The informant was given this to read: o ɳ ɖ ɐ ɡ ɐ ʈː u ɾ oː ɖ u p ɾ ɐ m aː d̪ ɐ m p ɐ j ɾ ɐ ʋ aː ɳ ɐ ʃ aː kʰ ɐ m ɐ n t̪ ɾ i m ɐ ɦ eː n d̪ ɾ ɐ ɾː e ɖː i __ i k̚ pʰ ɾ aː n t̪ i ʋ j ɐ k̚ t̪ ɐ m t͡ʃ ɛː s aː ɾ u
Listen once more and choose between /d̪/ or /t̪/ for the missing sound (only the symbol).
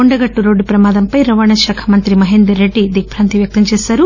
d̪